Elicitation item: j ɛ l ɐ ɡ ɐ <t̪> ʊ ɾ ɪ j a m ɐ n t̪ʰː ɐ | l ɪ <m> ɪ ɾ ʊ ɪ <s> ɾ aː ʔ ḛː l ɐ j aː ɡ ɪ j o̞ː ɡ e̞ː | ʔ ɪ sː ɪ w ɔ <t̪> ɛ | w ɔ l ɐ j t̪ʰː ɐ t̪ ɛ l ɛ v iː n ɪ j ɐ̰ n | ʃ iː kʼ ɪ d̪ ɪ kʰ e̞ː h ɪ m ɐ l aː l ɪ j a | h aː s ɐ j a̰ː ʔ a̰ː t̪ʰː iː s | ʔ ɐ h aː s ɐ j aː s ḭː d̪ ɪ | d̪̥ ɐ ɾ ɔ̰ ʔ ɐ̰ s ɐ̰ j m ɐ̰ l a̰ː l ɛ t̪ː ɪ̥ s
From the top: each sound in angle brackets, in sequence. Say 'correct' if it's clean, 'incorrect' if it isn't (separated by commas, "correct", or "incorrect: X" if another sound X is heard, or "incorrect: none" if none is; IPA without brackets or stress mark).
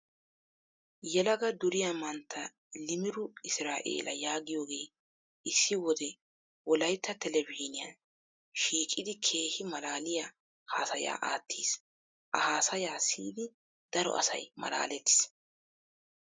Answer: incorrect: d̪, correct, correct, incorrect: d̪